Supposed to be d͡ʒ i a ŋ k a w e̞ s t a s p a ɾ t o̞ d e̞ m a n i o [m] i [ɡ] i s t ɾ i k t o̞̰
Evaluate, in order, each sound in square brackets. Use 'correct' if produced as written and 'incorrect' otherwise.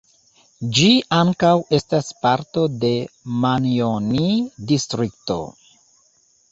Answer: incorrect: n, incorrect: d

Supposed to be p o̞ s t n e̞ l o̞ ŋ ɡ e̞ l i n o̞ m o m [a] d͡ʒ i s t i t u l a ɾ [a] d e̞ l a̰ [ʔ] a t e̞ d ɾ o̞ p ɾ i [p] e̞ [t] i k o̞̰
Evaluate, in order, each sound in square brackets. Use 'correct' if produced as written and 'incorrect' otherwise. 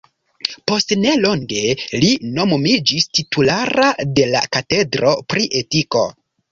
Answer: incorrect: i, correct, incorrect: k, incorrect: ʔ, correct

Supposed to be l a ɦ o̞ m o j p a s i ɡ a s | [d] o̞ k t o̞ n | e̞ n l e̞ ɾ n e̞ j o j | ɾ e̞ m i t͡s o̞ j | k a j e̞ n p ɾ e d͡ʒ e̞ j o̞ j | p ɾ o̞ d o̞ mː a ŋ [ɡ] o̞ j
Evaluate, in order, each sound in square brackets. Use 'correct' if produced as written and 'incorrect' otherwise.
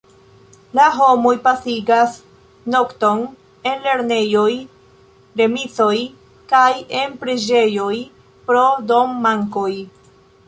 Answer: incorrect: n, incorrect: k

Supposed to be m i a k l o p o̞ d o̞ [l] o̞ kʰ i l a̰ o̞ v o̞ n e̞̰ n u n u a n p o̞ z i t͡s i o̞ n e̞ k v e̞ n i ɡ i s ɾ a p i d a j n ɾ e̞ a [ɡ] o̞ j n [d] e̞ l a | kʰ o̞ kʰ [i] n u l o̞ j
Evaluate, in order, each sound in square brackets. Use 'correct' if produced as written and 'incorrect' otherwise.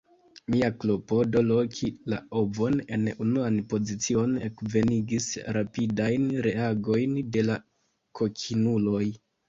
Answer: correct, correct, correct, correct

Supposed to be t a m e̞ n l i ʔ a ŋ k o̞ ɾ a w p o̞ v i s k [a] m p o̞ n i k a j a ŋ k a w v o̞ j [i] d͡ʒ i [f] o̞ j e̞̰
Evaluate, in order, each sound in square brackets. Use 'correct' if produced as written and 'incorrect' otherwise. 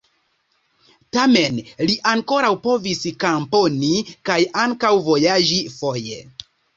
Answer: correct, incorrect: a, correct

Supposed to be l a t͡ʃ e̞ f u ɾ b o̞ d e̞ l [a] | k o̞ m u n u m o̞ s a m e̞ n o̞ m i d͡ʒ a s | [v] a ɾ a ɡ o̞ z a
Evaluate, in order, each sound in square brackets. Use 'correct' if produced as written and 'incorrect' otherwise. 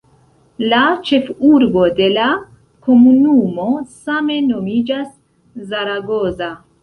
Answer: correct, incorrect: z

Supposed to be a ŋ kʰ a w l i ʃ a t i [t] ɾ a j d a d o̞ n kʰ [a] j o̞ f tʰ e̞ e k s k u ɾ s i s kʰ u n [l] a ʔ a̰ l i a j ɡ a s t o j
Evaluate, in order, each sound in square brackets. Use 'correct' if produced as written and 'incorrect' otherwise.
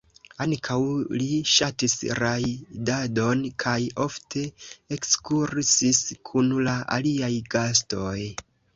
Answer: incorrect: s, correct, correct

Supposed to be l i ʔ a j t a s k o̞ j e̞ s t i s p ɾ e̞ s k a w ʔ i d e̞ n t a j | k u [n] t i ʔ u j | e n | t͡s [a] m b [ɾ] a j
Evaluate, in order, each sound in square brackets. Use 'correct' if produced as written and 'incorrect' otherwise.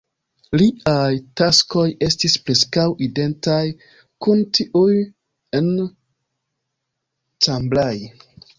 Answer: correct, correct, incorrect: l

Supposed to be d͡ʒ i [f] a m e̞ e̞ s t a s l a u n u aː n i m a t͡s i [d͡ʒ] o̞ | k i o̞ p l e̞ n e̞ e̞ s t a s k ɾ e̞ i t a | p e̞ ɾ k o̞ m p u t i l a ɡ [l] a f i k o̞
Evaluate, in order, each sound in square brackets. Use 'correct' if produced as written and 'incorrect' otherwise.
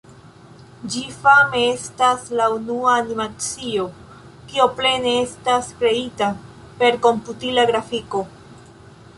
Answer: correct, incorrect: none, incorrect: ɾ

